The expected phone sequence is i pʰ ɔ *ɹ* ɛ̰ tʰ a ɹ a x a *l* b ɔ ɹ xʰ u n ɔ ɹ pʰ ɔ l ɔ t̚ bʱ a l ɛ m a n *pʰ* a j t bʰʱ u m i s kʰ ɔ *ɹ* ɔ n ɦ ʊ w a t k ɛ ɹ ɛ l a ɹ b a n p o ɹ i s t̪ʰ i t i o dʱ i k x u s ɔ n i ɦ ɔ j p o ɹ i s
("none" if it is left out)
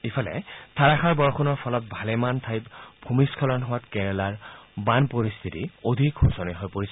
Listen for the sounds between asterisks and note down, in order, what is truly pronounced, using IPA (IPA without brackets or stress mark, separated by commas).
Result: l, ɹ, tʰ, l